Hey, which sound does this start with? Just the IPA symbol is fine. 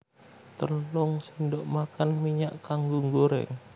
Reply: t̪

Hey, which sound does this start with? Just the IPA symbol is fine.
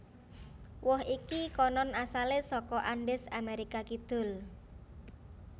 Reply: w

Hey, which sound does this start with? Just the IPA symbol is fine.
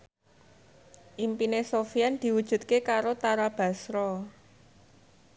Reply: ʔ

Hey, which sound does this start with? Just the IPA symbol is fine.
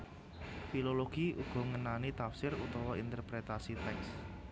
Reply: f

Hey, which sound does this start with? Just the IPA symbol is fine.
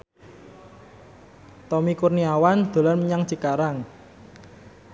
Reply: t̪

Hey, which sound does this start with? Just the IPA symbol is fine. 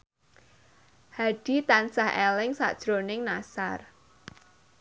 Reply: h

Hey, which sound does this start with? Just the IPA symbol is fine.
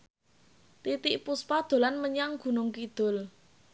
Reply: t̪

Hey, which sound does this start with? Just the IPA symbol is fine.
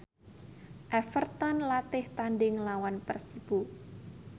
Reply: ʔ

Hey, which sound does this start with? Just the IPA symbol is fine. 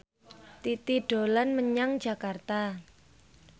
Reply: t̪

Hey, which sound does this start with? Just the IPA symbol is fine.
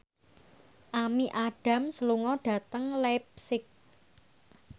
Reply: ʔ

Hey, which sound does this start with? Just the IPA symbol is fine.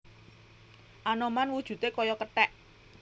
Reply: ʔ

